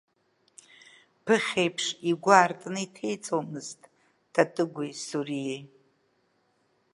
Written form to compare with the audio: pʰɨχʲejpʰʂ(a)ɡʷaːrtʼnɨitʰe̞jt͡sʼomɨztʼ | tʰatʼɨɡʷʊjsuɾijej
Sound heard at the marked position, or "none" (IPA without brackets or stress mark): i